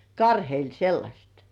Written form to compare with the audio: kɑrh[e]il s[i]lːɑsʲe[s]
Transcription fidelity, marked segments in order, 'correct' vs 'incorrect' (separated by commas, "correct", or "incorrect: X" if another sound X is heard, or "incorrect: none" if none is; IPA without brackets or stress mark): correct, incorrect: e, incorrect: t